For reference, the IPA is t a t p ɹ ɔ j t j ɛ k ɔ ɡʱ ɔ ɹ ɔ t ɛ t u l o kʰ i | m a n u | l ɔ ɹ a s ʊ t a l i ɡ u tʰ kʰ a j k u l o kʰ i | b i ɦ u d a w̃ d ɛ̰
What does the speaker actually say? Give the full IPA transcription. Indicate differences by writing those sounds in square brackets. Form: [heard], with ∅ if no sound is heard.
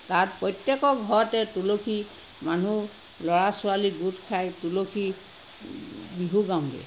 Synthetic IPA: t a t p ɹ ɔ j t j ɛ k ɔ ɡʱ ɔ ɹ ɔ t ɛ t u l o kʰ i | m a n u | l ɔ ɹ a s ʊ [∅] a l i ɡ u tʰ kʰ a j [t] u l o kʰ i | b i ɦ u [ɡ] a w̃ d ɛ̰

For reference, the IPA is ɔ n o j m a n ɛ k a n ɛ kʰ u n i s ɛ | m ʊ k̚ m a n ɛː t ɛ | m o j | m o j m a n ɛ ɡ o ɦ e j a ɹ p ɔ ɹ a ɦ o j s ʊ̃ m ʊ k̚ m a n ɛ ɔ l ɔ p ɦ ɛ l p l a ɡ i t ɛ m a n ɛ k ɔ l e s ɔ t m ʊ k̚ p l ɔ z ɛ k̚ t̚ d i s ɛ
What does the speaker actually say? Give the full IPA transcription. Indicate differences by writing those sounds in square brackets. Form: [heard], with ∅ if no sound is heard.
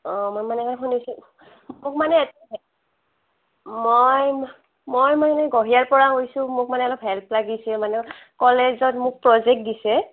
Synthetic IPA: ɔ [m] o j m a n ɛ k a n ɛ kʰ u n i s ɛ | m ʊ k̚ m a n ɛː t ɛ | m o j | m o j m a n ɛ ɡ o ɦ [i] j a ɹ p ɔ ɹ a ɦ o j s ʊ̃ m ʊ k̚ m a n ɛ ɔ l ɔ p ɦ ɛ l p l a ɡ i [s] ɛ m a n ɛ k ɔ l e [z] ɔ t m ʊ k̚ p [ɹ] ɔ z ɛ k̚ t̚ d i s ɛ

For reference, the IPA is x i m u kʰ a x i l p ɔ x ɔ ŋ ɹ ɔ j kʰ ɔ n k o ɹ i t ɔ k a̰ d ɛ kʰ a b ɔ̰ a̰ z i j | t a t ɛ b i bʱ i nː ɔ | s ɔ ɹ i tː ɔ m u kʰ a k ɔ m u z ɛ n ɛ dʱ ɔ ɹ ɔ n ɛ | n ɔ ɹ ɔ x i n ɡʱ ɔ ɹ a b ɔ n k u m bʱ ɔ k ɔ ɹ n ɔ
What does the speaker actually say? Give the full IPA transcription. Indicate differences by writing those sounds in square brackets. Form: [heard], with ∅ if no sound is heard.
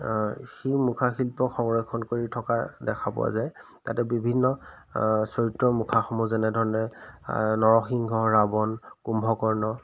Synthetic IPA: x i m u kʰ a x i l p ɔ x ɔ ŋ ɹ ɔ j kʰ ɔ n k o ɹ i [tʰ] ɔ k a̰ d ɛ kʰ a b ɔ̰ a̰ z [a] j | t a t ɛ b i bʱ i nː ɔ | s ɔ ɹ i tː ɔ m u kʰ a [x] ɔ m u z ɛ n ɛ dʱ ɔ ɹ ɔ n ɛ | n ɔ ɹ ɔ x i [ŋ] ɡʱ ɔ ɹ a b ɔ n k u m bʱ ɔ k ɔ ɹ n ɔ

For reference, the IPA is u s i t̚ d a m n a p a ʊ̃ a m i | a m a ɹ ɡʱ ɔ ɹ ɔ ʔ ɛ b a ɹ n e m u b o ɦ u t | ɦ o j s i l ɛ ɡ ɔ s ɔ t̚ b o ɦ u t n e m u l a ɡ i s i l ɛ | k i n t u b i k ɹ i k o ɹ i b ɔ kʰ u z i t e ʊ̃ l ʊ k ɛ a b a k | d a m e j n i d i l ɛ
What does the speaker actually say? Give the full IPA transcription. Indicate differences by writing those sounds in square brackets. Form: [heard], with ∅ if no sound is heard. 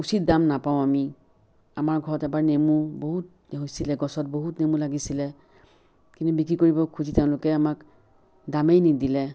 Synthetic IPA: u s i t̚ d a m n a p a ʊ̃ a m i | a m a ɹ ɡʱ ɔ ɹ ɔ [t] ɛ b a ɹ n e m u b o ɦ u t | ɦ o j s i l ɛ ɡ ɔ s ɔ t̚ b o ɦ u t n e m u l a ɡ i s i l ɛ | k i n t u b i k ɹ i k o ɹ i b ɔ kʰ u z i t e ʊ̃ l ʊ k ɛ a [m] a k | d a m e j n i d i l ɛ

